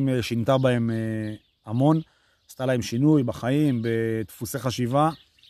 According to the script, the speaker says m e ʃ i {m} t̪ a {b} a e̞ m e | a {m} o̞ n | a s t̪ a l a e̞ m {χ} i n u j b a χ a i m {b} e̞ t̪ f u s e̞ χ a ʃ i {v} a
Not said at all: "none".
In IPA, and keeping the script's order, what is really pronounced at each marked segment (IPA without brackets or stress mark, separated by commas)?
n, b, m, ʃ, b, v